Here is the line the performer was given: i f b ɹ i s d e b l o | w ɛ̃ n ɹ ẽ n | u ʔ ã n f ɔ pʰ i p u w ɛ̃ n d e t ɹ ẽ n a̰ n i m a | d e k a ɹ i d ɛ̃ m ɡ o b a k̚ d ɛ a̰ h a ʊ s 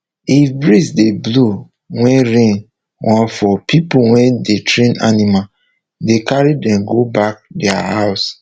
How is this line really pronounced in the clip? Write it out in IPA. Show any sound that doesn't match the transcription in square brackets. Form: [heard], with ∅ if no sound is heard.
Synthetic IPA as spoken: i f b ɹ i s d e b l o | w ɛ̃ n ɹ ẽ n | [w] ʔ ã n f ɔ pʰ i p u w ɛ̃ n d e t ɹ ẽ n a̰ n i m a | d e k a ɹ i d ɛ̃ m ɡ o b a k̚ d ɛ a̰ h a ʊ s